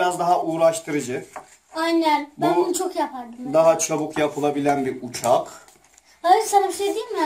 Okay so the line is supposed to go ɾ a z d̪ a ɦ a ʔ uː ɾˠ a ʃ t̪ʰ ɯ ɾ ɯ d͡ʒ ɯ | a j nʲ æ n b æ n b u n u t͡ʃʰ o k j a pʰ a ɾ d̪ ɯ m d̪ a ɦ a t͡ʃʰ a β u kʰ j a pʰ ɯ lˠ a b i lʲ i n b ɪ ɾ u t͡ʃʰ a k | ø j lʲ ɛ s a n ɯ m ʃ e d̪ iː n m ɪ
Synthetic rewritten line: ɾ a z d̪ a ɦ a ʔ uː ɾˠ a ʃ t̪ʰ ɯ ɾ ɯ d͡ʒ ɯ | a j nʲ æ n b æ n b u n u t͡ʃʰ o k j a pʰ a ɾ d̪ ɯ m d̪ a ɦ a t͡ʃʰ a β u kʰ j a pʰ ɯ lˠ a b i lʲ æ n b i ɾ u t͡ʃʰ a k | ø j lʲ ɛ s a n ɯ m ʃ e d̪ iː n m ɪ